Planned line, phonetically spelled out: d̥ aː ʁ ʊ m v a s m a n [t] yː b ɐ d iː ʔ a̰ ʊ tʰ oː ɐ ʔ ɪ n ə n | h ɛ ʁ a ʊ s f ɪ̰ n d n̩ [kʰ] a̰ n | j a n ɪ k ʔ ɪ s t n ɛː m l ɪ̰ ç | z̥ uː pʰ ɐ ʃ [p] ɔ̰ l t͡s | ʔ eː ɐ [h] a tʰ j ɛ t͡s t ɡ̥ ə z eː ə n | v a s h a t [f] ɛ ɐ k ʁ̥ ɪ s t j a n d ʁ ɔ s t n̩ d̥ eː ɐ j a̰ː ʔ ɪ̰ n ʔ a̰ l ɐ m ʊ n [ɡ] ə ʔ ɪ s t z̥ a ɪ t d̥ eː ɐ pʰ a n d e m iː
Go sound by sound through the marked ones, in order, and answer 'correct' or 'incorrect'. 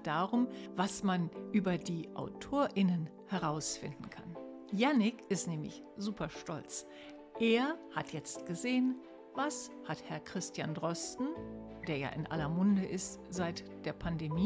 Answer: incorrect, correct, incorrect, correct, incorrect, incorrect

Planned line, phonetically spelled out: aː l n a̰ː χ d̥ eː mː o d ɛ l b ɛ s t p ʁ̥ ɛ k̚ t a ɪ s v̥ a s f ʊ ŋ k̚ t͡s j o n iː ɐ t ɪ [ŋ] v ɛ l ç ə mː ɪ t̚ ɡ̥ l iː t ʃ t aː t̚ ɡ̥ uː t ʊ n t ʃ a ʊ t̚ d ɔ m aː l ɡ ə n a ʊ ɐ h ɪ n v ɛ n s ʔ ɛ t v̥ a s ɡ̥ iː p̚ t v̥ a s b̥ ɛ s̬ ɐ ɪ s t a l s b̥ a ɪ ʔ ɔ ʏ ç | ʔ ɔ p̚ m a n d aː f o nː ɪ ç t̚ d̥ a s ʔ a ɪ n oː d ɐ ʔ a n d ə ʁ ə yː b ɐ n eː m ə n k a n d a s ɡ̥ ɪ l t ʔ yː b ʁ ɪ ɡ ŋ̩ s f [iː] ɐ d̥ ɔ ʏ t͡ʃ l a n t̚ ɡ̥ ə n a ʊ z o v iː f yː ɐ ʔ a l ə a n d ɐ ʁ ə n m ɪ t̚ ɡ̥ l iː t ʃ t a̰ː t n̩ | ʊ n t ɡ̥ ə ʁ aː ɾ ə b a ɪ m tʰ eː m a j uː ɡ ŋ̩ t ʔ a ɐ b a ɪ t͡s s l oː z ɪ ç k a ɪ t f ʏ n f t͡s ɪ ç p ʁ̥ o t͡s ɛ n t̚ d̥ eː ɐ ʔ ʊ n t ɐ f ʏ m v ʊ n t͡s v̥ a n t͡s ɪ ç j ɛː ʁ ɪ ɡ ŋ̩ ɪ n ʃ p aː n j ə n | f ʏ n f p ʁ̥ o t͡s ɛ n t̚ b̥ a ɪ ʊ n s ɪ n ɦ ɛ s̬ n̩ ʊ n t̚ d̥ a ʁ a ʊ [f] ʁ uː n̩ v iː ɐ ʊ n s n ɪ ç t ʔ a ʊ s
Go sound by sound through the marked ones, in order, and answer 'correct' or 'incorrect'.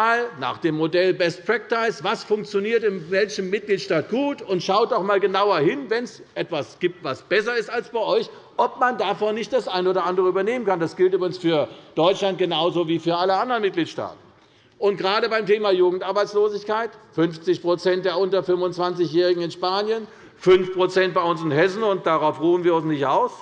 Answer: incorrect, incorrect, correct

